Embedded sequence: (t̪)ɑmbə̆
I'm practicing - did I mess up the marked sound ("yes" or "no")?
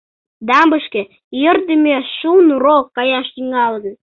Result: yes